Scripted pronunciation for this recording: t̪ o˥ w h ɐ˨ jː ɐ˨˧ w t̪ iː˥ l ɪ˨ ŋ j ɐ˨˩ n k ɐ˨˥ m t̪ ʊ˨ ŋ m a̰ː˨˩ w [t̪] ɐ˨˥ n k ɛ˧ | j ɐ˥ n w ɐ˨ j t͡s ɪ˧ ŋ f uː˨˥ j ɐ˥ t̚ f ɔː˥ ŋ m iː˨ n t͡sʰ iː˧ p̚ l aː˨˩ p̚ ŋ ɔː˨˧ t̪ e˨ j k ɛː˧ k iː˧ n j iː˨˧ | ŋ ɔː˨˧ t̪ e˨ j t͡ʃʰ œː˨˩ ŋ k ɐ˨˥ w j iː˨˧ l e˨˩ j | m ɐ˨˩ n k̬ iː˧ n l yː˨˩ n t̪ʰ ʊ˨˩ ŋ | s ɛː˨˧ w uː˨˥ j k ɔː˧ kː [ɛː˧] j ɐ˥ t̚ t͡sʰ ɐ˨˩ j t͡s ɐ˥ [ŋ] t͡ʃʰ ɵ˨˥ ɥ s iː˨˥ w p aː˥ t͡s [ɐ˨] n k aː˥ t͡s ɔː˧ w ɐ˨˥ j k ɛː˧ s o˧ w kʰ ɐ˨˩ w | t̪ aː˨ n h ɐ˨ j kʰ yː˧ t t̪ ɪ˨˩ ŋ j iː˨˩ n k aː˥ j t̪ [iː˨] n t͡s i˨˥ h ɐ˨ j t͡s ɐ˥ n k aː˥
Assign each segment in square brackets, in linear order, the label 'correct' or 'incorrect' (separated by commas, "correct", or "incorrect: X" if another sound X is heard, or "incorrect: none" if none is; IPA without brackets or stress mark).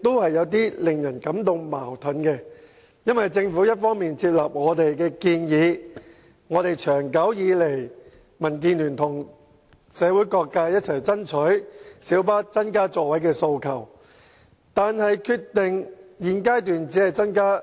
incorrect: t̪ʰ, incorrect: aː˧, incorrect: n, incorrect: ɐ˥, incorrect: yː˨